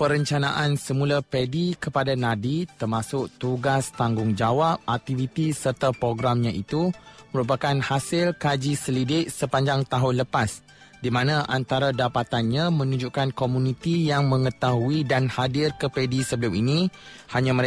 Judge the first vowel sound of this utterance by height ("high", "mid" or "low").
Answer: mid